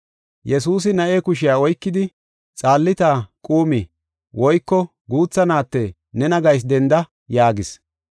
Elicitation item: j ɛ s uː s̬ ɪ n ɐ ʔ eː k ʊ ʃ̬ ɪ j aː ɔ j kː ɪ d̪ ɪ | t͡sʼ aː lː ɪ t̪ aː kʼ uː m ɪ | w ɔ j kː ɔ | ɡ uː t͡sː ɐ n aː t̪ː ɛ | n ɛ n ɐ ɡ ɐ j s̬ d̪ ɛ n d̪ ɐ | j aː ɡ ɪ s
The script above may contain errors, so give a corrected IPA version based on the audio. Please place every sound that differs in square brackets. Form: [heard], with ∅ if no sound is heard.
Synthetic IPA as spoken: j ɛ s uː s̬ ɪ n ɐ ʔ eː k ʊ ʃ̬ ɪ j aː ɔ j kː ɪ d̪ ɪ | t͡sʼ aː lː ɪ t̪ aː kʼ uː m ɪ | w ɔ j kː ɔ | ɡ uː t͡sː ɐ n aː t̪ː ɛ | n ɛ n ɐ ɡ ɐ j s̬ d̪ ɛ n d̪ ɐ | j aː ɡ ɪ s

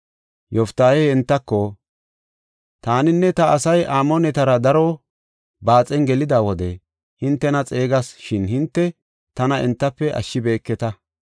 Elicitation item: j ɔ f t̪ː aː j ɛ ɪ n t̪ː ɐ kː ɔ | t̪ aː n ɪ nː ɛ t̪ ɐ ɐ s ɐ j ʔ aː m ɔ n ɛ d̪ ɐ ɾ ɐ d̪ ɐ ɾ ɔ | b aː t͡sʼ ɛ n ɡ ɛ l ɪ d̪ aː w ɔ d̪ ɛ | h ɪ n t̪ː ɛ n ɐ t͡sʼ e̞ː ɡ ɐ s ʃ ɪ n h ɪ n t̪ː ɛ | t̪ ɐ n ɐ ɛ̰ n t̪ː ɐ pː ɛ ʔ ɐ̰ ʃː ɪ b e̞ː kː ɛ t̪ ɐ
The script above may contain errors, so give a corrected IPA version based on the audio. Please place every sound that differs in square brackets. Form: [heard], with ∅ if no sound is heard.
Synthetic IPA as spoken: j ɔ f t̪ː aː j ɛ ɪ n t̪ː ɐ kː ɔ | t̪ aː n ɪ nː ɛ t̪ ɐ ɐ s ɐ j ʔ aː m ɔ n ɛ [t̪] ɐ ɾ ɐ d̪ ɐ ɾ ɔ | b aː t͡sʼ ɛ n ɡ ɛ l ɪ d̪ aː w ɔ d̪ ɛ | h ɪ n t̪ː ɛ n ɐ t͡sʼ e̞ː ɡ ɐ s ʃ ɪ n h ɪ n t̪ː ɛ | t̪ ɐ n ɐ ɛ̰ n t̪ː ɐ pː ɛ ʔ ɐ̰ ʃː ɪ b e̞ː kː ɛ t̪ ɐ

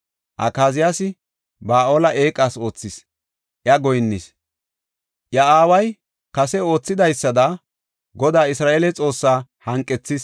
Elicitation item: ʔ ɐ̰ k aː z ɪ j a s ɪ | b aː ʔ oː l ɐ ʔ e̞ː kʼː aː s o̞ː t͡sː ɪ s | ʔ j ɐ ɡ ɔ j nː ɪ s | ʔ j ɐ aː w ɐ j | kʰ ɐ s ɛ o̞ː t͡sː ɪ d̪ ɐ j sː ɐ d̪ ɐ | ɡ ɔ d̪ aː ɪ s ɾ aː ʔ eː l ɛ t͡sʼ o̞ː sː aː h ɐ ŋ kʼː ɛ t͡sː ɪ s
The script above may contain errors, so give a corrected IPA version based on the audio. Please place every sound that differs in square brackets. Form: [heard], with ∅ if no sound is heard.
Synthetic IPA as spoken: ʔ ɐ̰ k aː z ɪ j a s ɪ | b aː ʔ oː l ɐ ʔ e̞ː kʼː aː s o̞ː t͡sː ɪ s | ʔ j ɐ ɡ ɔ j nː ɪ s | ʔ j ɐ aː w ɐ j | [k] ɐ s ɛ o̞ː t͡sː ɪ d̪ ɐ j sː ɐ d̪ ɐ | ɡ ɔ d̪ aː ɪ s ɾ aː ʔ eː l ɛ t͡sʼ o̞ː sː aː h ɐ ŋ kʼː ɛ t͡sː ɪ s

